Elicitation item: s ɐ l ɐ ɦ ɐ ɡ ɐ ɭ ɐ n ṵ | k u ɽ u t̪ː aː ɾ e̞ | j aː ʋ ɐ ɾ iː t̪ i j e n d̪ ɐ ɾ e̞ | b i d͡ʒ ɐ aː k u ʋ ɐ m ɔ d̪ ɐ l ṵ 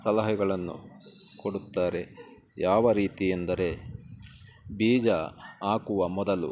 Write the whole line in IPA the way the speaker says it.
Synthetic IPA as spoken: s ɐ l ɐ ɦ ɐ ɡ ɐ ɭ ɐ nː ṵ | k o ɽ u t̪ː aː ɾ e̞ | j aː ʋ ɐ ɾ iː t̪ i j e n d̪ ɐ ɾ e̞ | b iː d͡ʒ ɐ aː k u ʋ ɐ m ɔ d̪ ɐ l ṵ